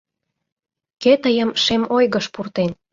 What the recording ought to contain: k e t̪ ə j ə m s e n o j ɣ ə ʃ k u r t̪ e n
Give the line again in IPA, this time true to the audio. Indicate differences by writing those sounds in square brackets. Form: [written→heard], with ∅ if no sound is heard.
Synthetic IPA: k e t̪ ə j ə m [s→ʃ] e [n→m] o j ɣ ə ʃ [k→p] u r t̪ e n